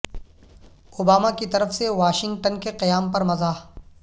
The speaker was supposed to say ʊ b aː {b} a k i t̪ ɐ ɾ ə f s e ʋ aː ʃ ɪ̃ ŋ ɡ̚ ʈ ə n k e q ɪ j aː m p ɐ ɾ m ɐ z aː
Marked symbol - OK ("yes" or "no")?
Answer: no